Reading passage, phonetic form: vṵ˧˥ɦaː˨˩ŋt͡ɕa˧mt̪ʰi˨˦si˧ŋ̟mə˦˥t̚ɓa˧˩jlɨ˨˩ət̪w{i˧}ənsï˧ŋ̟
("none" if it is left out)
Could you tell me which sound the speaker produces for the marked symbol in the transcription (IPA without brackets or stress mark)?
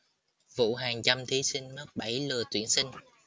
i˧˩